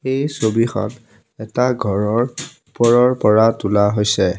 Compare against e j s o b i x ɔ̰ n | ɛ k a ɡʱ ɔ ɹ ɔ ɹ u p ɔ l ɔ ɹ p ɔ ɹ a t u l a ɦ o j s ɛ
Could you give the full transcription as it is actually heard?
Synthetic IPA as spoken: e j s o b i x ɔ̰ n | ɛ t a ɡʱ ɔ ɹ ɔ ɹ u p ɔ ɹ ɔ ɹ p ɔ ɹ a t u l a ɦ o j s ɛ